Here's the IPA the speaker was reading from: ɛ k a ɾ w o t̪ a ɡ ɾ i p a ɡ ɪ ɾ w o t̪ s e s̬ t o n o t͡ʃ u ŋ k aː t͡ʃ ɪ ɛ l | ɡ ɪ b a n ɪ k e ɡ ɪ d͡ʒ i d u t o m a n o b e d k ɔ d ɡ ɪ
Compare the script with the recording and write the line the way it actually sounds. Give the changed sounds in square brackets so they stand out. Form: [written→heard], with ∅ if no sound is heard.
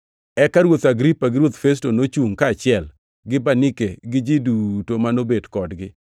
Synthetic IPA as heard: ɛ k a ɾ w o t̪ a ɡ ɾ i p a ɡ ɪ ɾ w o t̪ [s→f] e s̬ t o n o t͡ʃ u ŋ k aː t͡ʃ ɪ ɛ l | ɡ ɪ b a n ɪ k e ɡ ɪ d͡ʒ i d u t o m a n o b e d k ɔ d ɡ ɪ